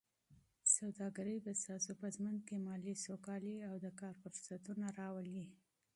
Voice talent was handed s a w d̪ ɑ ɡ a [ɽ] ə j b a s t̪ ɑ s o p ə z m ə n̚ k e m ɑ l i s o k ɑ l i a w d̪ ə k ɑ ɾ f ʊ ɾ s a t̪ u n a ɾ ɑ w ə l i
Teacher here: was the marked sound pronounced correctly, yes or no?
no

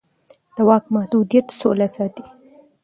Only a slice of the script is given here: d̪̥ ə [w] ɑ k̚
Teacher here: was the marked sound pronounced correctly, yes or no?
yes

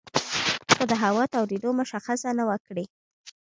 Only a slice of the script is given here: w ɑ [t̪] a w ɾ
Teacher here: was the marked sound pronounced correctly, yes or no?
yes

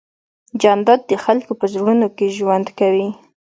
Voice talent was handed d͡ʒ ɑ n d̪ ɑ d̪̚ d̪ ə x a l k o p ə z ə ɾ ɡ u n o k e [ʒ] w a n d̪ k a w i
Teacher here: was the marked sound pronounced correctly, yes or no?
yes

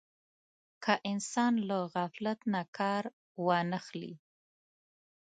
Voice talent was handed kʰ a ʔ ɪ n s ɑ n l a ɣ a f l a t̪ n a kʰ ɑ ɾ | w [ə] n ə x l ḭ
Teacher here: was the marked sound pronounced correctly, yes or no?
no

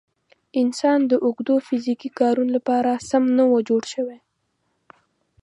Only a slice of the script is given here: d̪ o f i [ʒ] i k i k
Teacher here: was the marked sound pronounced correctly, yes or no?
no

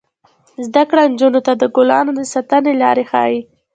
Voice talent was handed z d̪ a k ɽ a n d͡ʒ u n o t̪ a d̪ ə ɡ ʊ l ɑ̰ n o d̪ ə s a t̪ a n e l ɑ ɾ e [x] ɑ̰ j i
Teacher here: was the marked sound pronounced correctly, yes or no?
yes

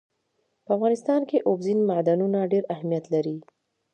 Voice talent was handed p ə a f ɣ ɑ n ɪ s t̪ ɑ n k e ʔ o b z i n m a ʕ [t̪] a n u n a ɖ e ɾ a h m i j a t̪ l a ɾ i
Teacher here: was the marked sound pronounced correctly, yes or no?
no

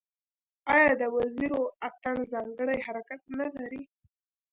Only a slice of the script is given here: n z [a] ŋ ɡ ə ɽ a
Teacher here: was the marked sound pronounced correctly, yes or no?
no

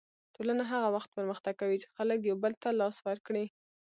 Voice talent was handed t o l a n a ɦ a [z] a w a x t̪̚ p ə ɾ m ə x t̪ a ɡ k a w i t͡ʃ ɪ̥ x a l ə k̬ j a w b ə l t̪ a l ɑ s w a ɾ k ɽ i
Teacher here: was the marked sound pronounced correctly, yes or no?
no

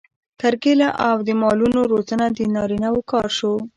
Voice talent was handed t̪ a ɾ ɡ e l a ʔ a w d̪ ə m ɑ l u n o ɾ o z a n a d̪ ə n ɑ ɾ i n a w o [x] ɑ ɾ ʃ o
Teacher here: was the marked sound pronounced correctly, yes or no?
no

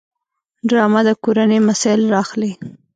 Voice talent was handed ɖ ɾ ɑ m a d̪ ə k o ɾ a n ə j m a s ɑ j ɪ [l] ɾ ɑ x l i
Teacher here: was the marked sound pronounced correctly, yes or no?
yes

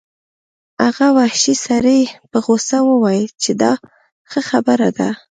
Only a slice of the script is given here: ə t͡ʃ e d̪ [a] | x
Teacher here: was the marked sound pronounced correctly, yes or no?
no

